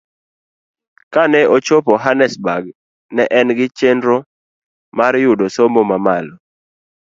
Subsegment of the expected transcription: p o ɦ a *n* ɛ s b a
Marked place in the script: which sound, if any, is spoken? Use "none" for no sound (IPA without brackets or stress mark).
n